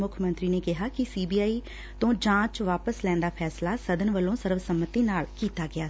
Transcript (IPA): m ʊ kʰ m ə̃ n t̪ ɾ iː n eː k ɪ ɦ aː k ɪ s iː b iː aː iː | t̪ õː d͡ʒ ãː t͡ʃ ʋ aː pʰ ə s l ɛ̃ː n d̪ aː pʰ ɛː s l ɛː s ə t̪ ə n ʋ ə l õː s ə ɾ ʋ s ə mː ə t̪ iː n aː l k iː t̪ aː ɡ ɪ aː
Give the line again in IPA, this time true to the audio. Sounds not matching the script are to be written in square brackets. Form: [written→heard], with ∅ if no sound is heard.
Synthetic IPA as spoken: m ʊ kʰ m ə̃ n t̪ ɾ iː n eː k ɪ ɦ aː k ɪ s iː b iː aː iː | t̪ õː d͡ʒ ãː t͡ʃ ʋ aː [pʰ→p] ə s l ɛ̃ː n d̪ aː pʰ ɛː s l [ɛː→aː] s ə [t̪→d̪] ə n ʋ ə l õː s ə ɾ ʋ s ə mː ə t̪ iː n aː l k iː t̪ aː ɡ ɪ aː